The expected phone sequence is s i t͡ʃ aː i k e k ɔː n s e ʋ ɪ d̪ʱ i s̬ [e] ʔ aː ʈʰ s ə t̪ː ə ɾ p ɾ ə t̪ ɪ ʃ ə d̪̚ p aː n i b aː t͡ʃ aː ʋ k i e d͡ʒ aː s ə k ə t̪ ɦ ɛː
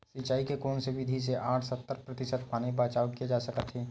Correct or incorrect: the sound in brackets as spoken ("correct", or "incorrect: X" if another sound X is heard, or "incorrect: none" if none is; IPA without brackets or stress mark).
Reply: correct